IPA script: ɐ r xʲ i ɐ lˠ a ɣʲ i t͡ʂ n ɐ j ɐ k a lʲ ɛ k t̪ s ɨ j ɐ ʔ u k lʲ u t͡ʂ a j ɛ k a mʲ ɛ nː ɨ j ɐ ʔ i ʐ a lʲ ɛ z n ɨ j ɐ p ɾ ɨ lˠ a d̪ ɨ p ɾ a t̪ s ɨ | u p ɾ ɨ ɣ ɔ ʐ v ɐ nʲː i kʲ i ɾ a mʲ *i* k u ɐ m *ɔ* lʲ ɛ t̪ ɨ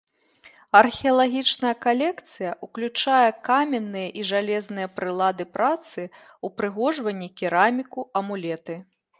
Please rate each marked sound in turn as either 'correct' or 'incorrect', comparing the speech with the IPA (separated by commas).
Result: correct, incorrect